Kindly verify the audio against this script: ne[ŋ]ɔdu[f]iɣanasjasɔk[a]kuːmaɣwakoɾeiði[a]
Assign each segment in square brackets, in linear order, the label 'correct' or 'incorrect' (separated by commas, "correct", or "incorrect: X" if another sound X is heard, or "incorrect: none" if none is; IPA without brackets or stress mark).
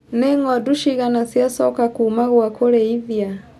correct, incorrect: ʃ, correct, correct